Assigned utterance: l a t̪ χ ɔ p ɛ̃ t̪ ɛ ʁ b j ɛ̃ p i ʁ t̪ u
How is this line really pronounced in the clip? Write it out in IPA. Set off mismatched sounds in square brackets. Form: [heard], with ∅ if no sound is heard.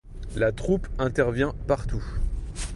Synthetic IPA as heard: l a t̪ χ [u] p ɛ̃ t̪ ɛ ʁ [v] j ɛ̃ p [a] ʁ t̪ u